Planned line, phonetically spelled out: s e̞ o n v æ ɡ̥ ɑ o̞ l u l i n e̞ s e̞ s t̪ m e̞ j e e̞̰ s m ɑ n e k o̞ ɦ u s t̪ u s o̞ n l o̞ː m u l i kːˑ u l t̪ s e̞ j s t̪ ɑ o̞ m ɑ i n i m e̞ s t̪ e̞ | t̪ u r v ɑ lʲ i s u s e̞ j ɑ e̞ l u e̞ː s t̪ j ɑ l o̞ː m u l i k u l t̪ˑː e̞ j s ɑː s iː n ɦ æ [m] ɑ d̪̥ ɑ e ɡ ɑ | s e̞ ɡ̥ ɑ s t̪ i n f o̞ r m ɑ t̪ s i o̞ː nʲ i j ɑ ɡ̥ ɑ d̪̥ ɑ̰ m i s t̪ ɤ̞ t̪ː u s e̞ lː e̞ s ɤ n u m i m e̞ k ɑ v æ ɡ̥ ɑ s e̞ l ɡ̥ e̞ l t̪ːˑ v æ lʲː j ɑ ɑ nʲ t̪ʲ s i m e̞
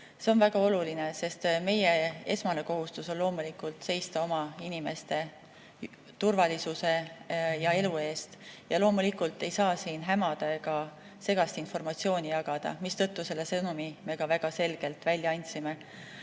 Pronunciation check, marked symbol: correct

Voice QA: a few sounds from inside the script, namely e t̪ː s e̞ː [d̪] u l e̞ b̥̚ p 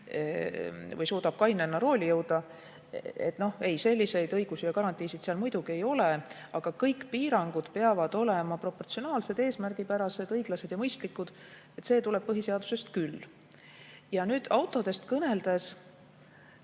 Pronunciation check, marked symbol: incorrect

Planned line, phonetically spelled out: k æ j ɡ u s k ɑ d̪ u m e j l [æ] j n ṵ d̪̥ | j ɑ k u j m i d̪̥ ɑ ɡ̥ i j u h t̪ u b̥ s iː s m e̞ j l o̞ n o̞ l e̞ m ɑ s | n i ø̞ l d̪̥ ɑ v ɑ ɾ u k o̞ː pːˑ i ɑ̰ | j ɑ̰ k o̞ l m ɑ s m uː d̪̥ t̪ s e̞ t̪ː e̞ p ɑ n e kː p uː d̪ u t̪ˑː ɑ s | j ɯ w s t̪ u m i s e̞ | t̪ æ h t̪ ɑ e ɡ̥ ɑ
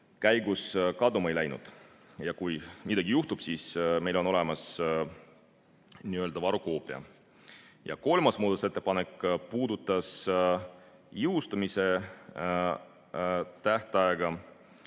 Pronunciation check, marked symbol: correct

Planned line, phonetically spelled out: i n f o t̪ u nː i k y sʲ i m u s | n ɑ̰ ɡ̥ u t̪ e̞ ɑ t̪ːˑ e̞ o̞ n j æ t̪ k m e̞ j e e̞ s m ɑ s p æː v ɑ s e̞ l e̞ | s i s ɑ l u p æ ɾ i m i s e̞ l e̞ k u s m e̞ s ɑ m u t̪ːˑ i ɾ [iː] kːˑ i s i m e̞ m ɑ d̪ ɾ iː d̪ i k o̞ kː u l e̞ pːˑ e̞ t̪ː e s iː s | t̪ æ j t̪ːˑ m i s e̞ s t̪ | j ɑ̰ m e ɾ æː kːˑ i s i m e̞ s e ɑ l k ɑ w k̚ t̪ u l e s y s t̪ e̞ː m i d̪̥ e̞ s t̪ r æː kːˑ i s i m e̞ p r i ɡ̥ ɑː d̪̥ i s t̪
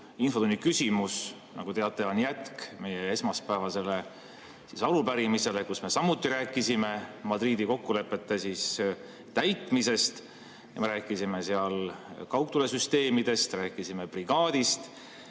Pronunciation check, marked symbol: incorrect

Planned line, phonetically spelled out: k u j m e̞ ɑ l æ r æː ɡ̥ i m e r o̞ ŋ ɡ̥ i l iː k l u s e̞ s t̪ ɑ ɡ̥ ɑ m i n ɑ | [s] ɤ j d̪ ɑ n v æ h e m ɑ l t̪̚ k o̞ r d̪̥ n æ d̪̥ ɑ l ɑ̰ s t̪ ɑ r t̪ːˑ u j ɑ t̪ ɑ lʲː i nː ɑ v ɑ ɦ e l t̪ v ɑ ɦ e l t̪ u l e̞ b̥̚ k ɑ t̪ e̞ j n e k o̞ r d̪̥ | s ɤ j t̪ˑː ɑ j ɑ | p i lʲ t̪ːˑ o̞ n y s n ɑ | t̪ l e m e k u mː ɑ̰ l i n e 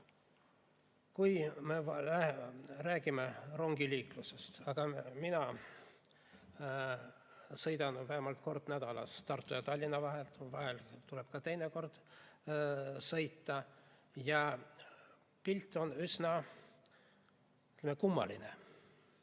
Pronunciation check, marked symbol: correct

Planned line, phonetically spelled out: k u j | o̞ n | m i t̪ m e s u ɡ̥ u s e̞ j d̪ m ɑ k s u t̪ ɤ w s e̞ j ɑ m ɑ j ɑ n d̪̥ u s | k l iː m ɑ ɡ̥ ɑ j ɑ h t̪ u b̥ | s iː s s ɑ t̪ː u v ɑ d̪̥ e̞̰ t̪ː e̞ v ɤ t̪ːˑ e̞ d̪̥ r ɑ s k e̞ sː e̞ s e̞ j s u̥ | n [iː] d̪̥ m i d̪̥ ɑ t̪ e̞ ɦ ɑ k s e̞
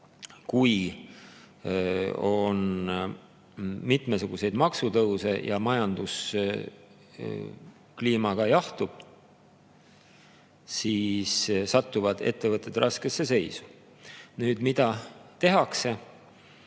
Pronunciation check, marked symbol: incorrect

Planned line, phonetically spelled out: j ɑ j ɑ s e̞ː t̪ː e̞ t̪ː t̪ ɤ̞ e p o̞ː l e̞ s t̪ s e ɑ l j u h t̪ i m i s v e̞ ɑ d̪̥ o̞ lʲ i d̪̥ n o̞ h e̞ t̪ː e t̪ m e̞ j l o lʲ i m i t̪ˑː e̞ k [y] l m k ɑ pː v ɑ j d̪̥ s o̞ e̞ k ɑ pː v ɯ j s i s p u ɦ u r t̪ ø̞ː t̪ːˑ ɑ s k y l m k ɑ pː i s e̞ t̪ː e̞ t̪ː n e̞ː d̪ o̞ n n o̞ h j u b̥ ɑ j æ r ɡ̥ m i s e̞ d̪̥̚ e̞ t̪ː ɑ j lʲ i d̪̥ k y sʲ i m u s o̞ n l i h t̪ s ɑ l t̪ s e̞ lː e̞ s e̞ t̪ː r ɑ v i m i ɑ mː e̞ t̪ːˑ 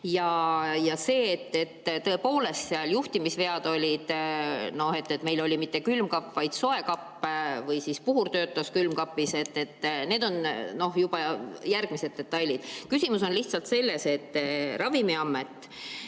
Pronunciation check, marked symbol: correct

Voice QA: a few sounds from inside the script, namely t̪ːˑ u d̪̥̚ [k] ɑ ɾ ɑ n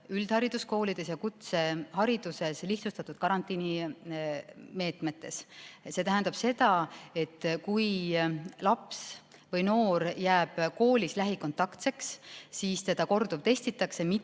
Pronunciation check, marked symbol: correct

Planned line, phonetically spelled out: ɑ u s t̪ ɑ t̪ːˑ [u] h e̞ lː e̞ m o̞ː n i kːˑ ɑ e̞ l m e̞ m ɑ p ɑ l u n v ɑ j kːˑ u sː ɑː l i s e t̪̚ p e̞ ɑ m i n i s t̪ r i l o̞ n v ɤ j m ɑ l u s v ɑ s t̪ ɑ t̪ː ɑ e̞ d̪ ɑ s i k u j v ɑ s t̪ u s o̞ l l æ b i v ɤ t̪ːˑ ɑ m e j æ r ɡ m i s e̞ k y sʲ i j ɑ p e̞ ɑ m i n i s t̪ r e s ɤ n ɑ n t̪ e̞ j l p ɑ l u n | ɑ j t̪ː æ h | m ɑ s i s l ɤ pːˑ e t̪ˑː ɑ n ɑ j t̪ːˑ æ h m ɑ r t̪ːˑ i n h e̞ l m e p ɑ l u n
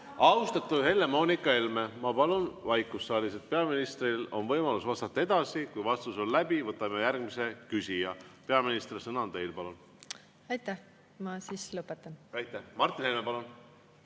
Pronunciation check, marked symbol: correct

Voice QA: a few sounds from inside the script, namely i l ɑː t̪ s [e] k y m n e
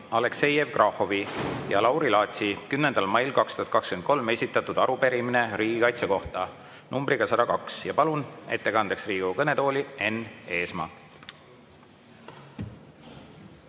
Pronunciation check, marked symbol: incorrect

